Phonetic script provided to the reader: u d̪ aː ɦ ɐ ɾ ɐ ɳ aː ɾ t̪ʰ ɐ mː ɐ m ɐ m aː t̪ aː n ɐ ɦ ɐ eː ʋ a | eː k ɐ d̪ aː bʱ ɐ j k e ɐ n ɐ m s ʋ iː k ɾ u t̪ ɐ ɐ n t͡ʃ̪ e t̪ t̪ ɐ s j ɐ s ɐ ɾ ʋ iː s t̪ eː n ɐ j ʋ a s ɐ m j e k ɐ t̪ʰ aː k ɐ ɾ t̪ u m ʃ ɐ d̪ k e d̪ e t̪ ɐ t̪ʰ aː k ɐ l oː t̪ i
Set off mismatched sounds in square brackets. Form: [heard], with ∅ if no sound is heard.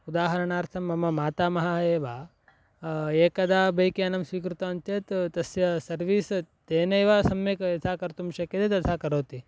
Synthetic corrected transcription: u d̪ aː ɦ ɐ ɾ ɐ ɳ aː ɾ t̪ʰ ɐ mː ɐ m ɐ m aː t̪ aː [m] ɐ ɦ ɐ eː ʋ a | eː k ɐ d̪ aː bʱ ɐ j k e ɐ n ɐ m s ʋ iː k ɾ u t̪ ɐ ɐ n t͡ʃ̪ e t̪ t̪ ɐ s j ɐ s ɐ ɾ ʋ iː s t̪ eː n ɐ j ʋ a s ɐ m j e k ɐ t̪ʰ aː k ɐ ɾ t̪ u m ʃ ɐ [∅] k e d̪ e t̪ ɐ t̪ʰ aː k ɐ [ɾ] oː t̪ i